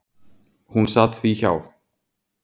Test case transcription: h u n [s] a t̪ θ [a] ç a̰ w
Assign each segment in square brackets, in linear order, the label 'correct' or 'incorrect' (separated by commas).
correct, incorrect